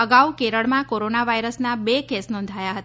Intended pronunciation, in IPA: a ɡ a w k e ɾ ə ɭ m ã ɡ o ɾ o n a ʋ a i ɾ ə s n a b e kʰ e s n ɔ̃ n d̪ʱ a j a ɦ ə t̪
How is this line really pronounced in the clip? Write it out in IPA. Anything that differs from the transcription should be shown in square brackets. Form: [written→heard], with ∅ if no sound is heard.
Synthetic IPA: [a→ə] ɡ a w k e ɾ ə ɭ m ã [ɡ→k] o ɾ o n a ʋ a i ɾ ə s n a b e [kʰ→k] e s n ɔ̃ n d̪ʱ a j a ɦ ə t̪